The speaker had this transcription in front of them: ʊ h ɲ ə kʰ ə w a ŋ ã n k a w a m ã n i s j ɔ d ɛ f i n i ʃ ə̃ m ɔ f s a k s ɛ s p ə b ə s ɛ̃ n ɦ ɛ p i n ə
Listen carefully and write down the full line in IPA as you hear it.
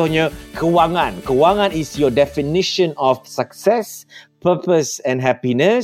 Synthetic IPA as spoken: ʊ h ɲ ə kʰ ə w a ŋ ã n k ə w a ŋ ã n i s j ɔ d ɛ f i n i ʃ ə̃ n ɔ f s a k s ɛ s p ə p ə s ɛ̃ n ɦ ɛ p i n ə